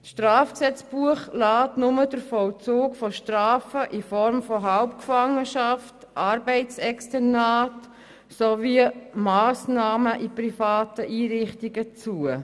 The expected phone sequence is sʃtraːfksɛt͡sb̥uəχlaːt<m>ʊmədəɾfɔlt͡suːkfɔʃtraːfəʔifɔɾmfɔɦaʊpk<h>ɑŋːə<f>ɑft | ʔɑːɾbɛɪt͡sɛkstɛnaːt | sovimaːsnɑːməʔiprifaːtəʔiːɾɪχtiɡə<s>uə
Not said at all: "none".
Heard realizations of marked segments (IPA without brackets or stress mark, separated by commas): n, f, ʃ, t͡s